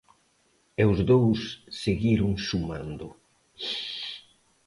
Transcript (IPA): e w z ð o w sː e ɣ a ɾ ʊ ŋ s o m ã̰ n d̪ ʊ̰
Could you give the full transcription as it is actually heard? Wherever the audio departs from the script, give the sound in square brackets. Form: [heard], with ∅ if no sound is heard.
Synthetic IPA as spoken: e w z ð o w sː e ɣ [i] ɾ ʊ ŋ s [u] m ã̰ n d̪ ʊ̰